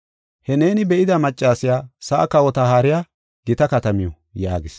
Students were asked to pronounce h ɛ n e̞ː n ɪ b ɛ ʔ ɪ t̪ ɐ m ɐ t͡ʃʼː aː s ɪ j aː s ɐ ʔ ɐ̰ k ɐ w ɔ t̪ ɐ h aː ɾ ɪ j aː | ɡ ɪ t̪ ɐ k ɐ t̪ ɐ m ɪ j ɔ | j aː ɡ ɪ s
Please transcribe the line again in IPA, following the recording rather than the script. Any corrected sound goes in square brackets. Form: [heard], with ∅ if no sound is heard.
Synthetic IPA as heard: h ɛ n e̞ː n ɪ b ɛ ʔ ɪ [d̪] ɐ m ɐ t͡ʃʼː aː s ɪ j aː s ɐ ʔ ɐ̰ k ɐ w ɔ t̪ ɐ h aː ɾ ɪ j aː | ɡ ɪ t̪ ɐ k ɐ t̪ ɐ m ɪ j ɔ | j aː ɡ ɪ s